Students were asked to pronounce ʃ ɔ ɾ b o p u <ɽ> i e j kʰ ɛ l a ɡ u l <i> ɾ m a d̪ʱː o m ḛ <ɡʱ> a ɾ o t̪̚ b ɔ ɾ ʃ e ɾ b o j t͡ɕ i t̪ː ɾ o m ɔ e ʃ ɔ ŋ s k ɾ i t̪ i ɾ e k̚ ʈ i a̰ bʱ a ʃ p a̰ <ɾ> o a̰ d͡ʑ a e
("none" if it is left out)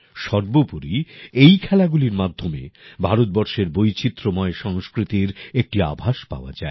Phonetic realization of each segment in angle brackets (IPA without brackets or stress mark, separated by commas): ɾ, i, bʱ, none